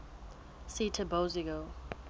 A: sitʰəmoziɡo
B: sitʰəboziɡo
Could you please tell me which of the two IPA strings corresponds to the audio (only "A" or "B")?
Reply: B